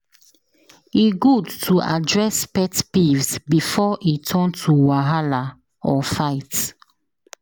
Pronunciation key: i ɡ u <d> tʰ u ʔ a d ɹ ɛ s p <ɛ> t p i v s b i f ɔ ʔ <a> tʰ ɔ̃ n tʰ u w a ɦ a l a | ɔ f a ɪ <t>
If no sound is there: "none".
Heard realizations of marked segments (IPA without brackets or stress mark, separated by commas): d, ɛ, i, t